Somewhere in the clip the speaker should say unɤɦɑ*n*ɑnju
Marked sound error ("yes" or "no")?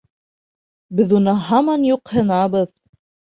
yes